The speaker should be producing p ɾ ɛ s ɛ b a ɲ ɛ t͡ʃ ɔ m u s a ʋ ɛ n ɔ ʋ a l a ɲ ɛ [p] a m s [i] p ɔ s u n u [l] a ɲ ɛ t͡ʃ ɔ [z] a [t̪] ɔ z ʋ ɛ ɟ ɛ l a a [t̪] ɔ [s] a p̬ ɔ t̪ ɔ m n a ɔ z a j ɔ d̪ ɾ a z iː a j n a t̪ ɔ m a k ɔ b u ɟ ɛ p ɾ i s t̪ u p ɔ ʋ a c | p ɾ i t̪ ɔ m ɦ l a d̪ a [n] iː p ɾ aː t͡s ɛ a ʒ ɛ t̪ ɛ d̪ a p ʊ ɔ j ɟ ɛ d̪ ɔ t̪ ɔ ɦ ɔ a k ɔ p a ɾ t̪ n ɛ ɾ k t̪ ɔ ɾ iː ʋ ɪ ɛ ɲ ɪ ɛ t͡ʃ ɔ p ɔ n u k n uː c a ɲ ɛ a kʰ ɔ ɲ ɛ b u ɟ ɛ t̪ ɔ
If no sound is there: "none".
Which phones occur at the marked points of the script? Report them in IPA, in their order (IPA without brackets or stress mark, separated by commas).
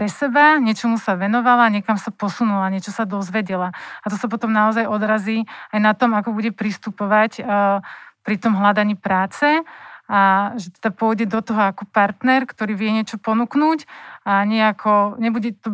k, a, l, s, d̪, t̪, s, ɲ